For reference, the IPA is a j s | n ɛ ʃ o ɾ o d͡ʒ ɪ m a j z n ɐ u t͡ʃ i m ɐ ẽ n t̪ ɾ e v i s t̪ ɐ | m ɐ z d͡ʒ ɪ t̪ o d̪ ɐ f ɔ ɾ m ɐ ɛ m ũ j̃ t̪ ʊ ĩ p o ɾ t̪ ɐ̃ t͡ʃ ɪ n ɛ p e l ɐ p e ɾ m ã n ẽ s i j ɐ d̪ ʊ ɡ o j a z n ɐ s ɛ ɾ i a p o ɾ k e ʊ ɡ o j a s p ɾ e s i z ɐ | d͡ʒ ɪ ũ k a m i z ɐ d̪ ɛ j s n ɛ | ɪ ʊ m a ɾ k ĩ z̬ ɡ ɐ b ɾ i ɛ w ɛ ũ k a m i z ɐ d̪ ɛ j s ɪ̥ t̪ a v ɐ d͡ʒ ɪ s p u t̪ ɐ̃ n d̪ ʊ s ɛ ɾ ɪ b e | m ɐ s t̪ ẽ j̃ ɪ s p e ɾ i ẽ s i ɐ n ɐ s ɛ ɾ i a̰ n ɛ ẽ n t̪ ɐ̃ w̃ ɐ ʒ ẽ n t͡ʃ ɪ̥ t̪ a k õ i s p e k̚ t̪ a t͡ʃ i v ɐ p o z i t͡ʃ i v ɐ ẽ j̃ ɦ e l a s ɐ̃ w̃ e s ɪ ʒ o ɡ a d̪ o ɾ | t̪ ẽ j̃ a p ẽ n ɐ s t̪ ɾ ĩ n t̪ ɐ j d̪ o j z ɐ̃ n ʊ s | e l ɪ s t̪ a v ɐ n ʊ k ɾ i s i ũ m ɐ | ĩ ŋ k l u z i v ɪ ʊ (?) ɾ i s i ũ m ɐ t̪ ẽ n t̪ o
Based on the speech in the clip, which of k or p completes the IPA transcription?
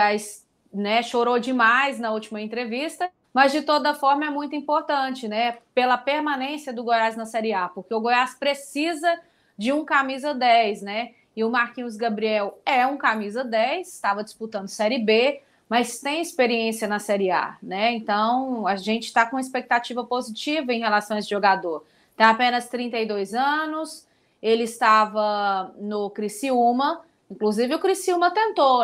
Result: k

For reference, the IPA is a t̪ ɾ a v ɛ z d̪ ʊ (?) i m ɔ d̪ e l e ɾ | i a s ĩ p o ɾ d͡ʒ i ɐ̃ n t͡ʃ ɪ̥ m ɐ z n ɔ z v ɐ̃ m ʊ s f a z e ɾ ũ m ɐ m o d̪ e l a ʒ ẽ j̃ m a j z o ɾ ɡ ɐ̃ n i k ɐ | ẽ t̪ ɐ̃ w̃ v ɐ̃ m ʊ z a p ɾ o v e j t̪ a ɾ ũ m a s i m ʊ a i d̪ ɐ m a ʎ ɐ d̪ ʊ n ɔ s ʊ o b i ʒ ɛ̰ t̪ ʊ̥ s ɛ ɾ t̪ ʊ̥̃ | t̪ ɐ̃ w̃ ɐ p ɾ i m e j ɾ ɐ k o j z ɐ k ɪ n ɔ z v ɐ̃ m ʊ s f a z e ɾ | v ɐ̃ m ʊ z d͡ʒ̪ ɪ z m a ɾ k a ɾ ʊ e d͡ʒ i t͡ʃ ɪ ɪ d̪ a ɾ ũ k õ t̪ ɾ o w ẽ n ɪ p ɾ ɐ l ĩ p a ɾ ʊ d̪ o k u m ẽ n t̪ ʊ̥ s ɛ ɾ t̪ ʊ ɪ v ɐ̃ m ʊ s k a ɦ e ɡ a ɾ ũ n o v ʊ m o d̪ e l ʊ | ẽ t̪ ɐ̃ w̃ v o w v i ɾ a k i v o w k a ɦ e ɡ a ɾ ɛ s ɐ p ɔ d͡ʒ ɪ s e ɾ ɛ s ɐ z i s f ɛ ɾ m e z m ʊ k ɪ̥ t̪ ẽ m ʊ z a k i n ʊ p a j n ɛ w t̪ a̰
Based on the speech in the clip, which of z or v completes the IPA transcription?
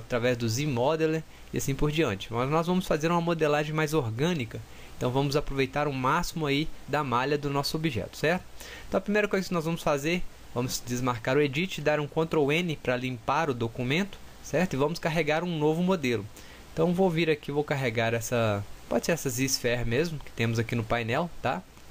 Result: z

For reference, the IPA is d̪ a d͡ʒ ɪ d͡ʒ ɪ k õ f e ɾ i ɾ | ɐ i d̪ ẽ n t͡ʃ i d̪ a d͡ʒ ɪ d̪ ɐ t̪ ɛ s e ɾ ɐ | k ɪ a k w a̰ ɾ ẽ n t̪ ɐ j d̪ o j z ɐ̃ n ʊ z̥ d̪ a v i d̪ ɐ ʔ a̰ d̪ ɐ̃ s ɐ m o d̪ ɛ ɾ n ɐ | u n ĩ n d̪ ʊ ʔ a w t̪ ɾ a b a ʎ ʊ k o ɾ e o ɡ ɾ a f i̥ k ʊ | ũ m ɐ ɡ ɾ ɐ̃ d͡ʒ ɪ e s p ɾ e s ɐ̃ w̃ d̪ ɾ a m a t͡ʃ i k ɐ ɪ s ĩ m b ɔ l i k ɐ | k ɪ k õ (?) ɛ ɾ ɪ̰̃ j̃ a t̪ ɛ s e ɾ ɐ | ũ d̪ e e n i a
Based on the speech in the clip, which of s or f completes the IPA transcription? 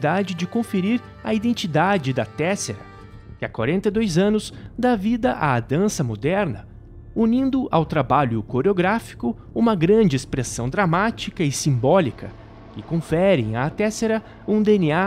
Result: f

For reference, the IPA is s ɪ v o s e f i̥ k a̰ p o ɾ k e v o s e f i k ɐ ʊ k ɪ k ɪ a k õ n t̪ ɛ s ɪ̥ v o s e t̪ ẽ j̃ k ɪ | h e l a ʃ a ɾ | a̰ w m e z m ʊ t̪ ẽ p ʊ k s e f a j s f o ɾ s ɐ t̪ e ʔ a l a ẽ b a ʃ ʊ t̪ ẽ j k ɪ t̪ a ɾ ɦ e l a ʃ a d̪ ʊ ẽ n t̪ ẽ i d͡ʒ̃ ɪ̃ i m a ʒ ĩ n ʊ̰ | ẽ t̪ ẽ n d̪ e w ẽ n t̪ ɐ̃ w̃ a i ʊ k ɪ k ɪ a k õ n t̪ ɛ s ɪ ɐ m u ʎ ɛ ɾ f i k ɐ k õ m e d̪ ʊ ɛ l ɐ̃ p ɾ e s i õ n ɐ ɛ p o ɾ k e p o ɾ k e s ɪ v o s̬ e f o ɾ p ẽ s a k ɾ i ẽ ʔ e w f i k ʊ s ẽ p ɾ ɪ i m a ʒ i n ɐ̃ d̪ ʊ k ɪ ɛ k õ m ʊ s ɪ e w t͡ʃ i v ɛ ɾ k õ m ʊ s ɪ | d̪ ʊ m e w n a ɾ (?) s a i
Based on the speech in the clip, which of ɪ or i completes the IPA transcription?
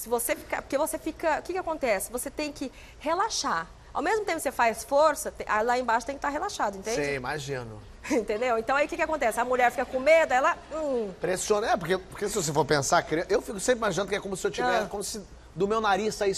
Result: i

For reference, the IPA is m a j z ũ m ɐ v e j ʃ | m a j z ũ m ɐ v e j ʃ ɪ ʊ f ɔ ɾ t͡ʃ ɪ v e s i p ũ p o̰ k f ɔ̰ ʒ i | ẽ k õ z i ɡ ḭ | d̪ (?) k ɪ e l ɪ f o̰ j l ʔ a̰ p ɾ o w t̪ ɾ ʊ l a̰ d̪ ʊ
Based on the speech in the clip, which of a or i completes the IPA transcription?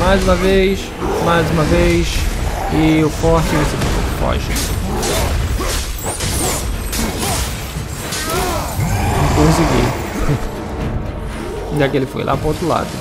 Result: a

